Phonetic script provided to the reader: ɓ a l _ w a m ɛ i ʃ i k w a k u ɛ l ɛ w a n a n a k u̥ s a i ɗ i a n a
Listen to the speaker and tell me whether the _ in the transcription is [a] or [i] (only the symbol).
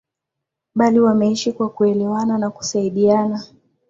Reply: i